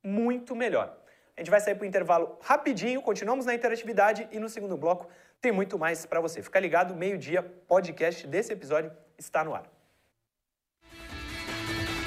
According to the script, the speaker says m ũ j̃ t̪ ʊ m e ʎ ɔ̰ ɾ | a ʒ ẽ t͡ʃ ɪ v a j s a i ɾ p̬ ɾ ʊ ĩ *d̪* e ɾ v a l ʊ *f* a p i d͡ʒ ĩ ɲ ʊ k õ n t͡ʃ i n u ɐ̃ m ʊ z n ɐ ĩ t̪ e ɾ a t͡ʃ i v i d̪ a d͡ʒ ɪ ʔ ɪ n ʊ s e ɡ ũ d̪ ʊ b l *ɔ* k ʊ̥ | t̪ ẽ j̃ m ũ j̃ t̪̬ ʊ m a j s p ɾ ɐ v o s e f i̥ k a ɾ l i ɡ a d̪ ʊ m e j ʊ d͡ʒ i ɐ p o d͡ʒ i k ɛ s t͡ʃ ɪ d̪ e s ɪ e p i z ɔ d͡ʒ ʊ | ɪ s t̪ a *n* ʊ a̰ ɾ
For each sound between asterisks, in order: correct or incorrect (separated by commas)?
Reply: incorrect, incorrect, correct, correct